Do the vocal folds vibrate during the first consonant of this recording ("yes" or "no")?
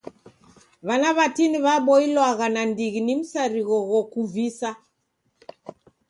yes